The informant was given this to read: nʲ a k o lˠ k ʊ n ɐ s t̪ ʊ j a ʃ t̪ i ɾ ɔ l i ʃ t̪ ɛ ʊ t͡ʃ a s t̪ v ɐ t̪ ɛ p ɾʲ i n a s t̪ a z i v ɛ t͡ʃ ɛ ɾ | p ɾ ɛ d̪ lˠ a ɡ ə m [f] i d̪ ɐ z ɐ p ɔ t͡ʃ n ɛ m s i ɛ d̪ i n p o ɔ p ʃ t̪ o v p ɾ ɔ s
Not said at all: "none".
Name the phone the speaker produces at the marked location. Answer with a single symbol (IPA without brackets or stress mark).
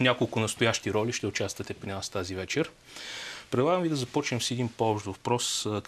v